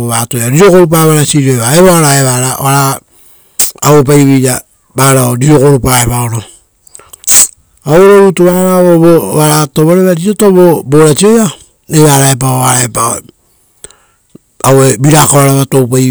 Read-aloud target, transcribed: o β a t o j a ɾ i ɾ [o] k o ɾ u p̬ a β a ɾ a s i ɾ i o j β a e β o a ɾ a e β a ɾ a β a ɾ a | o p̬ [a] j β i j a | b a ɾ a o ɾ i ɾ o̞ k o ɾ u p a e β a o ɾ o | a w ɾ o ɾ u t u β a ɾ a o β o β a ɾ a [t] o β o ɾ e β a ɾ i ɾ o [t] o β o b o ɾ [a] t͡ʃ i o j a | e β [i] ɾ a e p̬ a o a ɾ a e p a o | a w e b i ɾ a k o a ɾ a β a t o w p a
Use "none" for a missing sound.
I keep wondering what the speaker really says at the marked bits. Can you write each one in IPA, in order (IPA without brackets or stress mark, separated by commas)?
o, a, t, t, a, a